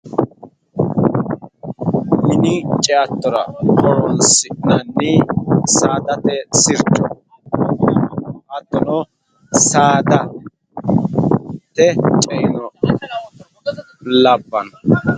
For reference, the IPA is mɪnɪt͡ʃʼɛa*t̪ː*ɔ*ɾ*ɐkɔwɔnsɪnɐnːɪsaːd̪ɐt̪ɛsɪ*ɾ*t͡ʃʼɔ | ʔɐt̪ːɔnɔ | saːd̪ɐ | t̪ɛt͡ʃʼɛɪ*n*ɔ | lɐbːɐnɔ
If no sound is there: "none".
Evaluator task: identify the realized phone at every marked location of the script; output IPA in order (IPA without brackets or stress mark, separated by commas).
t̪ː, ɾ, ɾ, n